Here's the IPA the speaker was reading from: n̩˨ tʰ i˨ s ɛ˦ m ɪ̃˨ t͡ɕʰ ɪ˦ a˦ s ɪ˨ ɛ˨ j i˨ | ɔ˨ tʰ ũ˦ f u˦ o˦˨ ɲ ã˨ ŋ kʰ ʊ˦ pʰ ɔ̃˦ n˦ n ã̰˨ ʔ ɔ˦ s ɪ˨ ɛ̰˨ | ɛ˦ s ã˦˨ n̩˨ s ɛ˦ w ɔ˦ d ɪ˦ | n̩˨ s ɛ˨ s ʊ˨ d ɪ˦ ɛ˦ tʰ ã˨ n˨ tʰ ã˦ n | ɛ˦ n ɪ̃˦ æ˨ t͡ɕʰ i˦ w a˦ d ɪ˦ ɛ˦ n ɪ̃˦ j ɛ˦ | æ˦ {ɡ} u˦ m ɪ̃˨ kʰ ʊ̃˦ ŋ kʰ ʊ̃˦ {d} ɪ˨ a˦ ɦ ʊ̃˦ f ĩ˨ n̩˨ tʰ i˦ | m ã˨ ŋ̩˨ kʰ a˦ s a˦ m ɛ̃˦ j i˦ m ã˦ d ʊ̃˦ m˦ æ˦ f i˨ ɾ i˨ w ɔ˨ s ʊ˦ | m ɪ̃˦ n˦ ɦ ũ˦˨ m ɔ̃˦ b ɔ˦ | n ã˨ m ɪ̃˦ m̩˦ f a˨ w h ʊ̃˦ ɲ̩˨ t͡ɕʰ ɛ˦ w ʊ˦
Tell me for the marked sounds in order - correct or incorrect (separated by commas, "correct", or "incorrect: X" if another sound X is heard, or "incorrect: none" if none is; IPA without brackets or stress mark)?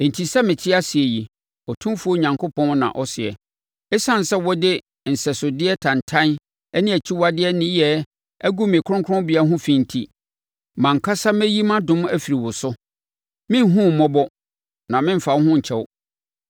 correct, incorrect: b